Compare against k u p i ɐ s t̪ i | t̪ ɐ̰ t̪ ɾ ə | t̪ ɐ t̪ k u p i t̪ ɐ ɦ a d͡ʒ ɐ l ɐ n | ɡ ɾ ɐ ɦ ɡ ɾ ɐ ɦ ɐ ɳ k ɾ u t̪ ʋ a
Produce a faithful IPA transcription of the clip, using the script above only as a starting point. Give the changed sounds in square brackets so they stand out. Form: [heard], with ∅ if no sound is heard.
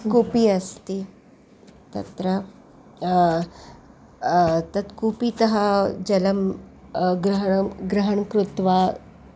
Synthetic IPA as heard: k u p i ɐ s t̪ i | t̪ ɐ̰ t̪ ɾ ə | t̪ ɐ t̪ k u p i t̪ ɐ ɦ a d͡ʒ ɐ l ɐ [m] | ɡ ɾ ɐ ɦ ɡ ɾ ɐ ɦ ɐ ɳ k ɾ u t̪ ʋ a